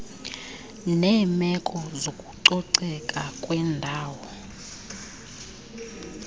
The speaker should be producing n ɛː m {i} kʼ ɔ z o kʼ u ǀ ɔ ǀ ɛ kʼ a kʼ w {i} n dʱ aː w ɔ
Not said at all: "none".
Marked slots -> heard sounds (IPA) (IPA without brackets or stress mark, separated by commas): ɛ, ɛ